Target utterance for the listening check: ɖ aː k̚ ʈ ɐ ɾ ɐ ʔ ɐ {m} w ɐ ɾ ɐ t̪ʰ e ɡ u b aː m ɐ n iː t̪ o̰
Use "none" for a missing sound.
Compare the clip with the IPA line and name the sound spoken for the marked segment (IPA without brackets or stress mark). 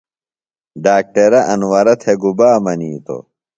n